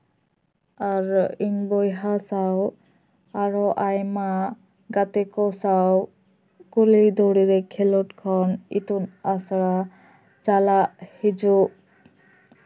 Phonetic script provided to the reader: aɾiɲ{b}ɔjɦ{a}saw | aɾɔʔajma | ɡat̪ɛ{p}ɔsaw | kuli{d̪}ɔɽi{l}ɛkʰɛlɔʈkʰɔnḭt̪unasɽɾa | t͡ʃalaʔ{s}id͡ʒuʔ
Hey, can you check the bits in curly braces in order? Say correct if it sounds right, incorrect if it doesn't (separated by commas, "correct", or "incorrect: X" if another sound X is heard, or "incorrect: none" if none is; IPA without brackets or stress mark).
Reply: correct, correct, incorrect: k, correct, incorrect: ɾ, incorrect: h